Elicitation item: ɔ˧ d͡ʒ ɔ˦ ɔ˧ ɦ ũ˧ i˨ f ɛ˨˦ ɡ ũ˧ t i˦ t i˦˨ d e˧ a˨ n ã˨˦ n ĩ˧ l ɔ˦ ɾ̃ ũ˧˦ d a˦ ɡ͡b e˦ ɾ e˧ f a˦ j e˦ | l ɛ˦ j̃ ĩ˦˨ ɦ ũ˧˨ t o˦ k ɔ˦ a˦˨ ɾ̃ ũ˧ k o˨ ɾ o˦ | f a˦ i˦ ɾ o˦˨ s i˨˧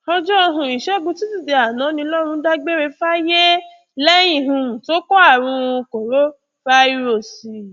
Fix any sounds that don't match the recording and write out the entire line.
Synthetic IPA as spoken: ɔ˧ d͡ʒ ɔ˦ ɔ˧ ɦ ũ˧ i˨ ʃ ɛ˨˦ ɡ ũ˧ t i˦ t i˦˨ d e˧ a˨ n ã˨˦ n ĩ˧ l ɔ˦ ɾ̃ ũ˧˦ d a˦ ɡ͡b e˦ ɾ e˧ f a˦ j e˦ | l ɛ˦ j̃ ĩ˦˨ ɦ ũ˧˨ t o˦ k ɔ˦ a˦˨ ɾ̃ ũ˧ k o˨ ɾ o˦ | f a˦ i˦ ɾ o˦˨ s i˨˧